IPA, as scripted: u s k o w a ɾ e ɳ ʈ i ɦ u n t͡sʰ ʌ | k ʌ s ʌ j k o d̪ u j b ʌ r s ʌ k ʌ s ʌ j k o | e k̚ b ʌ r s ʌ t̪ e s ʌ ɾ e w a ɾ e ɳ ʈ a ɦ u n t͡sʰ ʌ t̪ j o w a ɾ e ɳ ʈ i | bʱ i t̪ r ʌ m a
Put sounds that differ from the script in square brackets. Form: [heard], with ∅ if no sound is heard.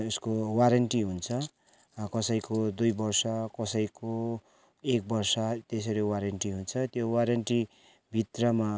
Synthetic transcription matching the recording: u s k o w a ɾ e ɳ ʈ i ɦ u n t͡sʰ ʌ | k ʌ s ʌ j k o d̪ u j b ʌ r s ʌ k ʌ s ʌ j k o | e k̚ b ʌ r s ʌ t̪ e s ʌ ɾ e w a ɾ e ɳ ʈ [i] ɦ u n t͡sʰ ʌ t̪ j o w a ɾ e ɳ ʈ i | bʱ i t̪ r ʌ m a